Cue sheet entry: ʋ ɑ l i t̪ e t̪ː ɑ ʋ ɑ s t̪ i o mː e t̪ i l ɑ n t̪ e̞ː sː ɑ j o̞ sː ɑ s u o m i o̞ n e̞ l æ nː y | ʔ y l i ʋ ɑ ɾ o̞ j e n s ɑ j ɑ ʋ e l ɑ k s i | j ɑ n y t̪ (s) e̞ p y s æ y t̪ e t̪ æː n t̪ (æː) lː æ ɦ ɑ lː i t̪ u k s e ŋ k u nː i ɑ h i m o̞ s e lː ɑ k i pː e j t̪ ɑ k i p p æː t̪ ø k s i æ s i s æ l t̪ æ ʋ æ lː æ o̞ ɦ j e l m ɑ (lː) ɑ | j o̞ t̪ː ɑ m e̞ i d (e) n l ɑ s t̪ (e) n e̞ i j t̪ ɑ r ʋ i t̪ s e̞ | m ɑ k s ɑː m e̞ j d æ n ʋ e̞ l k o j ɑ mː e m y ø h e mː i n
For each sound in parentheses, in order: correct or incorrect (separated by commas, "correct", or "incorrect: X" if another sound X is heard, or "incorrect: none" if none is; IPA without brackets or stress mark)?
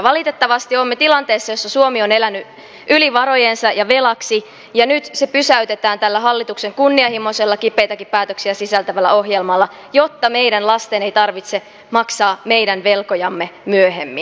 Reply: correct, incorrect: æ, correct, incorrect: æ, correct